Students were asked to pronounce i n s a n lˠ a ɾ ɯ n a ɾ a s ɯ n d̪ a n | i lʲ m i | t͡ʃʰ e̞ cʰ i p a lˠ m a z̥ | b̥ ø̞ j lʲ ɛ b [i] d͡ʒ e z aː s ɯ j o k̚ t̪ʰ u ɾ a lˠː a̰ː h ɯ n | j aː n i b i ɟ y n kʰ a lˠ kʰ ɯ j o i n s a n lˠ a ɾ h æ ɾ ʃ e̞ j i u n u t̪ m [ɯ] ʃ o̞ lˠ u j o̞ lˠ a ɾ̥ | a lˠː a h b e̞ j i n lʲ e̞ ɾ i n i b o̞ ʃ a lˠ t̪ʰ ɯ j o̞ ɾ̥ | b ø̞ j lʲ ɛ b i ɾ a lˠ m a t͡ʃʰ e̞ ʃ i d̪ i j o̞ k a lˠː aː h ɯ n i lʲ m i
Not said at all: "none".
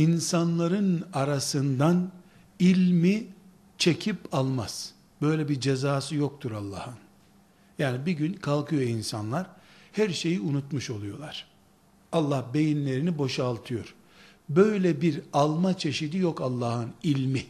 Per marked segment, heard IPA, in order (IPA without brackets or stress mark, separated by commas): i, u